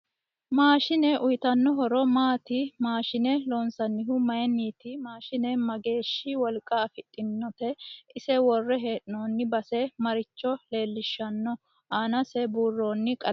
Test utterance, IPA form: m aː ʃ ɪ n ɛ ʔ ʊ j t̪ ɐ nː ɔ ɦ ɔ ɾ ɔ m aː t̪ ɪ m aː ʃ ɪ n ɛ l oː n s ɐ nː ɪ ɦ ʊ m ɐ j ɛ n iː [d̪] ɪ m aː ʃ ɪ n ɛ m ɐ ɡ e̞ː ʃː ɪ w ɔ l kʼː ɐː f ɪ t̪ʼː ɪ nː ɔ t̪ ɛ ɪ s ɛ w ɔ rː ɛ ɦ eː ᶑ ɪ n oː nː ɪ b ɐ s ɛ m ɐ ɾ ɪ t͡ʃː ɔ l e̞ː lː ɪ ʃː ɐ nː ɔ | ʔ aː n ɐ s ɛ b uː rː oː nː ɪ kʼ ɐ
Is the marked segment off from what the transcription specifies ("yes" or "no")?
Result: yes